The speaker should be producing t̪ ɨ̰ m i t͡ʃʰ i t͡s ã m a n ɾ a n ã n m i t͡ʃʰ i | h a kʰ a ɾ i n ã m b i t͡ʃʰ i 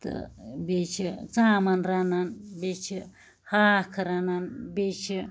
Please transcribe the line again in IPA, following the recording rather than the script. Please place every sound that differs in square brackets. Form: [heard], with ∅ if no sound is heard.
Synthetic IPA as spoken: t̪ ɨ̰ [b] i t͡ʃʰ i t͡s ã m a n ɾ a n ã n [b] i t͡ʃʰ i | h a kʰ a ɾ [a] n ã [n] b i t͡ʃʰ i

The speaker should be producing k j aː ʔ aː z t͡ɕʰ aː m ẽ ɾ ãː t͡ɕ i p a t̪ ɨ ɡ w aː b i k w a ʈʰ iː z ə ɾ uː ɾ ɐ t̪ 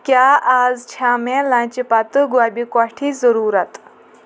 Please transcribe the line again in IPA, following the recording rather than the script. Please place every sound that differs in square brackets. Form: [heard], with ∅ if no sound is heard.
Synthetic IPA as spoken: k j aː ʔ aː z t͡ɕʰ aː m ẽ [l] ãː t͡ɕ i p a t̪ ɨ ɡ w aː b i k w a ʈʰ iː z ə ɾ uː ɾ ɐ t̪

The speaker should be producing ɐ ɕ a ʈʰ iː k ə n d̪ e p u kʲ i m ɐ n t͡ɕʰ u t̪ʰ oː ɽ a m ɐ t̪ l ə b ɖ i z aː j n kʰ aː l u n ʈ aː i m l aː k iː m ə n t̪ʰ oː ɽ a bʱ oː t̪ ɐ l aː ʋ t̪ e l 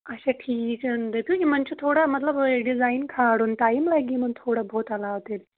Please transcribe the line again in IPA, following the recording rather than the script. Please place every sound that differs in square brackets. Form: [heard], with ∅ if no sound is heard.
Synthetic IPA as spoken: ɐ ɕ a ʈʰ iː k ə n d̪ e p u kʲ i m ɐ n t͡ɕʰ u t̪ʰ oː ɽ a m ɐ t̪ l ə b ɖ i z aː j n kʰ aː [ɽ] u n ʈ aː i m l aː [ɡ] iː m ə n t̪ʰ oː ɽ a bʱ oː t̪ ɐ l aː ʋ t̪ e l

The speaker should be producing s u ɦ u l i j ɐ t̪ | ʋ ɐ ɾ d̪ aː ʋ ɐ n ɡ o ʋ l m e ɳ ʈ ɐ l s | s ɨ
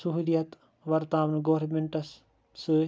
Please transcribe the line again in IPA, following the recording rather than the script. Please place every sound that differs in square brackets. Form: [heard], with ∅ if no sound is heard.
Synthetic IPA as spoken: s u ɦ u l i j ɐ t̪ | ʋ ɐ ɾ [t̪] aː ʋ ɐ n ɡ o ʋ [ɾ] m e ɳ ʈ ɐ [∅] s | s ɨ

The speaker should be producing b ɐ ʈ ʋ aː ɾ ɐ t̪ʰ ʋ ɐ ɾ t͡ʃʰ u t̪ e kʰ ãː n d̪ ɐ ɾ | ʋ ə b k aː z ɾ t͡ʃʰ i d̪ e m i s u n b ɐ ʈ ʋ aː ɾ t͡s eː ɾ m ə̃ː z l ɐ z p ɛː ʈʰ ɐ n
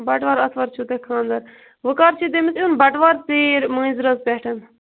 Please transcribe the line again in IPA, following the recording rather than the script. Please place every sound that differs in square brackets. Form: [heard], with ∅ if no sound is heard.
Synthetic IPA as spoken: b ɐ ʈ ʋ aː ɾ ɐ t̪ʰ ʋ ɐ ɾ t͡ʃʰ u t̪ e kʰ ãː n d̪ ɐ ɾ | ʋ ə [∅] k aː [∅] ɾ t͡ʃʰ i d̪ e m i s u n b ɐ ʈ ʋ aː ɾ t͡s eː ɾ m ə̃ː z [ɾ] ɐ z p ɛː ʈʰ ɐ n

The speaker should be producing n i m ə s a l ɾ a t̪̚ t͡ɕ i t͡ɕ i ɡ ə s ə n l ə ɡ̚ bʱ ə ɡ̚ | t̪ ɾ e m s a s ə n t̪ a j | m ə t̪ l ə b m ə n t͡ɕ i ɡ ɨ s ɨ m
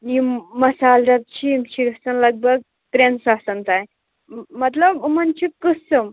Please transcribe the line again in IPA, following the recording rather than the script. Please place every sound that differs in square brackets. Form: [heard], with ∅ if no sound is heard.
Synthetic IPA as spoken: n i m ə s a l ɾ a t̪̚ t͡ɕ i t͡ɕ i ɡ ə s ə n l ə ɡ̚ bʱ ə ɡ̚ | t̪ ɾ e [n] s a s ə n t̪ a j | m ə t̪ l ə b m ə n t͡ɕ i [k] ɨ s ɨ m

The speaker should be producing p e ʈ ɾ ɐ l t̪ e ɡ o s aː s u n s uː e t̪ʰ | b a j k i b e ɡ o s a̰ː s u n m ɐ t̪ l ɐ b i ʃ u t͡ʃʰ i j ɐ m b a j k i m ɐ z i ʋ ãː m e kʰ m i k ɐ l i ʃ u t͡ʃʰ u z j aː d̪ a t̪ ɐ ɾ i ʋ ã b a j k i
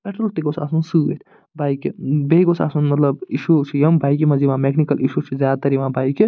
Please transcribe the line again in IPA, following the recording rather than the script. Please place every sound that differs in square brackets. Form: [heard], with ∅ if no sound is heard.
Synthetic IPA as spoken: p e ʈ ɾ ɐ l t̪ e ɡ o s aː s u n s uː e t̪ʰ | b a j k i b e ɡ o s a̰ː s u n m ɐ t̪ l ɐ b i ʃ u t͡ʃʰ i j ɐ m b a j k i m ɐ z i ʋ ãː m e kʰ [n] i k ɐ l i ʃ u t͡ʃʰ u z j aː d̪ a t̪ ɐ ɾ i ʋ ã b a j k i

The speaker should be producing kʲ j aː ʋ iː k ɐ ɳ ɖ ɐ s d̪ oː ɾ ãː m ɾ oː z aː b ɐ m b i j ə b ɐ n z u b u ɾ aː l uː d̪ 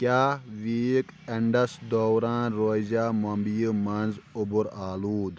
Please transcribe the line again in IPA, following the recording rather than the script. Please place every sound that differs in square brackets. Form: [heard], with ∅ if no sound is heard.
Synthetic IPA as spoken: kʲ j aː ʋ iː k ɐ ɳ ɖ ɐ s d̪ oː ɾ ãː [n] ɾ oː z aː [m] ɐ m b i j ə [m] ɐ n z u b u ɾ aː l uː d̪

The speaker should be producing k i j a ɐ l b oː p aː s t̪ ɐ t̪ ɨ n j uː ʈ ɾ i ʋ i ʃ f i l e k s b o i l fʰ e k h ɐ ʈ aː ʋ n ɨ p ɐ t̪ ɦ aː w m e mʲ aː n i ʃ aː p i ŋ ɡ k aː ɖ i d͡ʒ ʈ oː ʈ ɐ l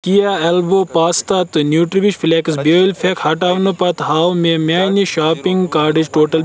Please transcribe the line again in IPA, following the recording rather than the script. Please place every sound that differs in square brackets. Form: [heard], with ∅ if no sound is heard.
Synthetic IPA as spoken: k i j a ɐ l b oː p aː s t̪ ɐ t̪ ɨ n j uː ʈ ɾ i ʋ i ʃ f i l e k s b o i l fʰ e k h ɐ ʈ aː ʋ n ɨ p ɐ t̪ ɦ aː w m e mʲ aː n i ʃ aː p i ŋ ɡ k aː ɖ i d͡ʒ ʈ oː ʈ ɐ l

